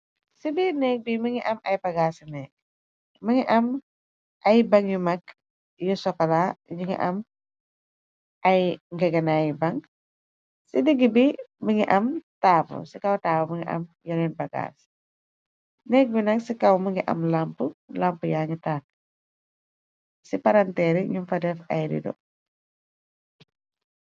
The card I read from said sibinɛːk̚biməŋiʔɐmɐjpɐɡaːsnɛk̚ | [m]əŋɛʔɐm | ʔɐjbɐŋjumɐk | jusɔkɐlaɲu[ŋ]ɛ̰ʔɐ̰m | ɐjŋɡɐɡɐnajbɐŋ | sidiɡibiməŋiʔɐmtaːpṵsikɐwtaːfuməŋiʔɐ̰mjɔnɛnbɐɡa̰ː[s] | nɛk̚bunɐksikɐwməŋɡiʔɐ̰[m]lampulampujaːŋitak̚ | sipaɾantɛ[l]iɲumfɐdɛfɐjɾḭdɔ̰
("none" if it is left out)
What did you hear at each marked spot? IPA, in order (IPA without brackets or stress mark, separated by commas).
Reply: m, ŋ, s, m, ɾ